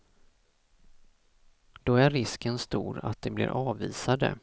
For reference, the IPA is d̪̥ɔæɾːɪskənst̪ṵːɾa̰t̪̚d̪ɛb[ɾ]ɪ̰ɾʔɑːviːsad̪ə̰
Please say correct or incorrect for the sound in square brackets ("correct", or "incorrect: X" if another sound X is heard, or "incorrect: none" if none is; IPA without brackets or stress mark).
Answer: incorrect: l